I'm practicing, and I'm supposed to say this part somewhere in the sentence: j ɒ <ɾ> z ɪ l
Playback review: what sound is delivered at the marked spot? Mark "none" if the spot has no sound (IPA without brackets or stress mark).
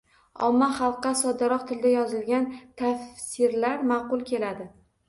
none